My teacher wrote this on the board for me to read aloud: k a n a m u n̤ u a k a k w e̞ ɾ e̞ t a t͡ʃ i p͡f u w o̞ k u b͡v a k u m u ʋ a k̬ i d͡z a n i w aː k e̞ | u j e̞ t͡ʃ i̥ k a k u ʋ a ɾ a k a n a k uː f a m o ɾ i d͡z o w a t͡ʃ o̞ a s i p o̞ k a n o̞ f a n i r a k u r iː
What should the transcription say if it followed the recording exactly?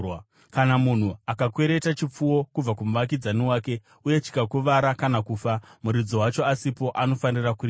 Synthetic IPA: k a n a m u n̤ u a k a k w e̞ ɾ e̞ t a t͡ʃ i p͡f u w o̞ k u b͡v a k u m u ʋ a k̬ i d͡z a n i w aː k e̞ | u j e̞ t͡ʃ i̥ k a k u ʋ a ɾ a k a n a k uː f a m u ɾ i d͡z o w a t͡ʃ o̞ a s i p o̞ ʔ a n o̞ f a n i r a k u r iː